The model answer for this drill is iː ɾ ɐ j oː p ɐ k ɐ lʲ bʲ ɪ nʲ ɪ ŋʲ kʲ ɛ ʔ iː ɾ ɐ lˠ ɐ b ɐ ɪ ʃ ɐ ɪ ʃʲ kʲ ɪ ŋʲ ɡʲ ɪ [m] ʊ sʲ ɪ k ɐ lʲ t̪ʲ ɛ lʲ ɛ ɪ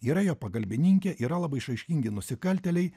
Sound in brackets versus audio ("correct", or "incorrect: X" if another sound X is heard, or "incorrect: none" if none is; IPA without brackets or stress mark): incorrect: n